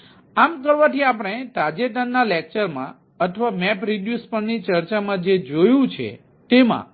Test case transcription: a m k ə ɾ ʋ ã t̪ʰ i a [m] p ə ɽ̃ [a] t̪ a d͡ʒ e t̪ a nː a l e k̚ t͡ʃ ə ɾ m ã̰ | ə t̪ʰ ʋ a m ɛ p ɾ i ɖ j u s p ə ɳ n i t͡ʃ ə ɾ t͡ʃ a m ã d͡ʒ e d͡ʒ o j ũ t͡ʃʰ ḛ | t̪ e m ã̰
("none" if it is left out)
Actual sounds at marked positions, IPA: none, e

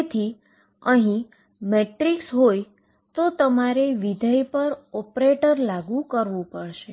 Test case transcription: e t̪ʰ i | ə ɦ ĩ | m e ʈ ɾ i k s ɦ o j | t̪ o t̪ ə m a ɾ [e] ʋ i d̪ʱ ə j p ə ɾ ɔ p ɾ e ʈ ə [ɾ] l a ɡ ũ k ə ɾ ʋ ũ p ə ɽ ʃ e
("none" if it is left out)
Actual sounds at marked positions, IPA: e, ɾ

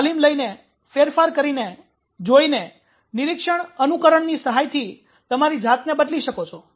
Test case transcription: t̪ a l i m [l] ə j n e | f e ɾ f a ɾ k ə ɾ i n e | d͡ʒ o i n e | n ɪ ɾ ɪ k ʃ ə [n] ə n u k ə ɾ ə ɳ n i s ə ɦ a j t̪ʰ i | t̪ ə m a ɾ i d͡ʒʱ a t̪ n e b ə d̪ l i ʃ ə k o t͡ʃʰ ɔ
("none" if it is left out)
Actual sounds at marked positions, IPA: l, ɳ

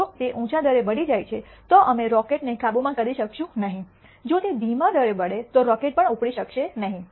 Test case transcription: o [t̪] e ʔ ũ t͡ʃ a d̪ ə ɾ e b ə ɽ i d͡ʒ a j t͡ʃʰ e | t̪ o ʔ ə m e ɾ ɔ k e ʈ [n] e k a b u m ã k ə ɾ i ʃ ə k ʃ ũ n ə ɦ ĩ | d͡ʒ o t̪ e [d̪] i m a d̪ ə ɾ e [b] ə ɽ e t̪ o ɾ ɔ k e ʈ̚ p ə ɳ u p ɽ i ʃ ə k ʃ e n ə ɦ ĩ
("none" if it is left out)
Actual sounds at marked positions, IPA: t̪, n, d̪, b

